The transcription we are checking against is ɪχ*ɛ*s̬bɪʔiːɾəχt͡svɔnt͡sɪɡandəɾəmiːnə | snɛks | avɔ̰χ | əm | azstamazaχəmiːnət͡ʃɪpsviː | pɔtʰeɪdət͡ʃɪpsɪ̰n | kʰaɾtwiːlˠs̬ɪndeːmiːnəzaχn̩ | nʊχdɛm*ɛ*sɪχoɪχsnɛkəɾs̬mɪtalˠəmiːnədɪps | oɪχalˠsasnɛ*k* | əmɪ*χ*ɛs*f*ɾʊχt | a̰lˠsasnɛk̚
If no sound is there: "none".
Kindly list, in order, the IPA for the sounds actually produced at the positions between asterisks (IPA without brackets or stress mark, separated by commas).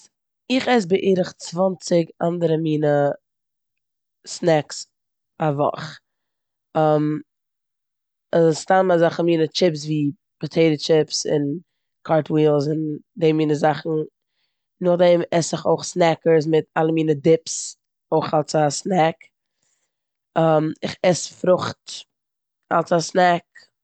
ɛ, ɛ, k, χ, f